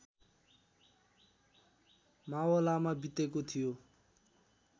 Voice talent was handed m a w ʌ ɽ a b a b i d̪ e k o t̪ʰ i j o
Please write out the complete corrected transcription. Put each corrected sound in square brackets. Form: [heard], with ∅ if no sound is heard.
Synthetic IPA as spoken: m a w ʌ [l] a [m] a b i [t̪] e k o t̪ʰ i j o